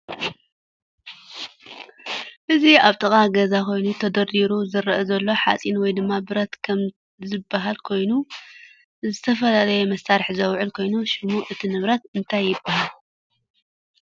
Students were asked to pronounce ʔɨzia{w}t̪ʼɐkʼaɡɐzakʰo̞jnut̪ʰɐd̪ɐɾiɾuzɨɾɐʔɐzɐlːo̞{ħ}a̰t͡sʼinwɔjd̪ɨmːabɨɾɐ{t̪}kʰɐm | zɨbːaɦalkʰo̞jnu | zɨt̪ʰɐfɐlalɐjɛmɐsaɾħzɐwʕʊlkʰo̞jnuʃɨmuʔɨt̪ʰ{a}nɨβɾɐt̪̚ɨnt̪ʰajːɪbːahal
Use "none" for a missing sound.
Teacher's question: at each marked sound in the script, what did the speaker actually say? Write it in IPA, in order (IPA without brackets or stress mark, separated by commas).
β, ħ, t̪, i